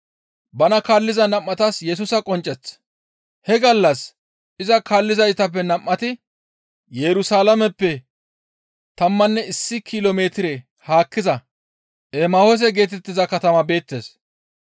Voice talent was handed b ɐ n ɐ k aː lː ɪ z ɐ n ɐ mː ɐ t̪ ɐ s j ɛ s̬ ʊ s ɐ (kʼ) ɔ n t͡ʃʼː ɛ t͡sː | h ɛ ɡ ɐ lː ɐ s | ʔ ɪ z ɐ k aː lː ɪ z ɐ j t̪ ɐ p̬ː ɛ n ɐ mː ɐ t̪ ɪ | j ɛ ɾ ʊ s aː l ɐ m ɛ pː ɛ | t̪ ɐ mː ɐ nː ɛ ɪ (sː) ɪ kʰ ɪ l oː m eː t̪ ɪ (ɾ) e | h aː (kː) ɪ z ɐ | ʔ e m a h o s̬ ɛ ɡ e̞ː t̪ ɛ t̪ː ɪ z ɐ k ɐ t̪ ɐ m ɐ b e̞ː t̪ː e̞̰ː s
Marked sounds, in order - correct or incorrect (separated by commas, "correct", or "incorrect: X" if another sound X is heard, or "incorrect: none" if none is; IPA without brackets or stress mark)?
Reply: correct, correct, correct, correct